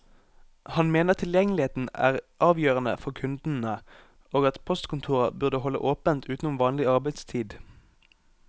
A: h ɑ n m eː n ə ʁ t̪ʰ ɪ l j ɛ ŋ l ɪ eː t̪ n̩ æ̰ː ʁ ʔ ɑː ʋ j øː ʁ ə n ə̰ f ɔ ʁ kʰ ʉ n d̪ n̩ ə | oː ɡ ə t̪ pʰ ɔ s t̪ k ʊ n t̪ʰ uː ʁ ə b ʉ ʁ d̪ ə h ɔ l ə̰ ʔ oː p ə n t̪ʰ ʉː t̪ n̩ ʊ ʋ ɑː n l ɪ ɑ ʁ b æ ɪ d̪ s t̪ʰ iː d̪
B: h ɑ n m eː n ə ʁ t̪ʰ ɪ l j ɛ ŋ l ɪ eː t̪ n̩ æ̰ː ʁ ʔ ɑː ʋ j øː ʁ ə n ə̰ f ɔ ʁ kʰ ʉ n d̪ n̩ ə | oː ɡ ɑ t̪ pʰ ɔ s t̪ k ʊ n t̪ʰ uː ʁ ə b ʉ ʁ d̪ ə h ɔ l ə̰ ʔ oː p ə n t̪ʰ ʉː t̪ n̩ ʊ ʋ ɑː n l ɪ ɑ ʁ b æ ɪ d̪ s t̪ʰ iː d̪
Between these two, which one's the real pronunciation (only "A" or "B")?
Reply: B